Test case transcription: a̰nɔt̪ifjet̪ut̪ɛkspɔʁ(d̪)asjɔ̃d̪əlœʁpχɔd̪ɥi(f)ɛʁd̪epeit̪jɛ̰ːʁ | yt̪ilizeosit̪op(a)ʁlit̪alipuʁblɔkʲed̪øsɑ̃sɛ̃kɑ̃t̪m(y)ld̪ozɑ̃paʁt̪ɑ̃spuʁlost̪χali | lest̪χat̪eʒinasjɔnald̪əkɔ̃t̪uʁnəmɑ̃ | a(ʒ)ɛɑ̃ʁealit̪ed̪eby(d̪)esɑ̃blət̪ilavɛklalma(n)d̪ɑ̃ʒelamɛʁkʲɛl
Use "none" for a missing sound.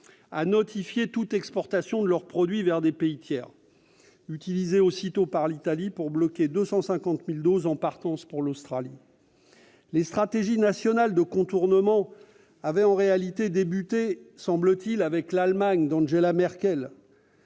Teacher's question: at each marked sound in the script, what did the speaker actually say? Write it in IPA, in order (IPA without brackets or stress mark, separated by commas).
t̪, v, a, i, v, t̪, ɲ